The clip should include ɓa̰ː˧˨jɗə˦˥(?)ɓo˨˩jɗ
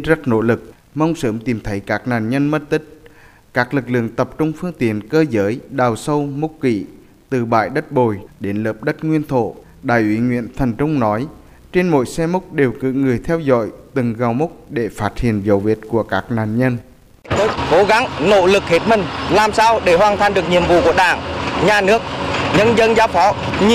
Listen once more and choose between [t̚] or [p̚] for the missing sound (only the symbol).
t̚